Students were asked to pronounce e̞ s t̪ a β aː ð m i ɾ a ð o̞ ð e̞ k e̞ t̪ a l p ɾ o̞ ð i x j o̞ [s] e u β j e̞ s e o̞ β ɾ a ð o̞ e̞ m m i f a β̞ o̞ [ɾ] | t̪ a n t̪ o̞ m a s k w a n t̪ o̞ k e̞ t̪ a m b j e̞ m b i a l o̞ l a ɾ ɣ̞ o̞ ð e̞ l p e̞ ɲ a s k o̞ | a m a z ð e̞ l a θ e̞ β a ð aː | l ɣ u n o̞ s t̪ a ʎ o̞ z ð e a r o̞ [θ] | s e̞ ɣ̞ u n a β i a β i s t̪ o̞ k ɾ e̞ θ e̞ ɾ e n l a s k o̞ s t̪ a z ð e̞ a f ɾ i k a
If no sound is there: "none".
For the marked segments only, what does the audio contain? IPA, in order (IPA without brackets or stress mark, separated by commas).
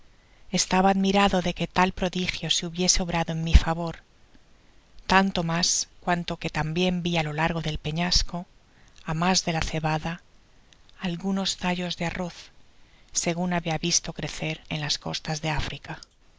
s, ɾ, θ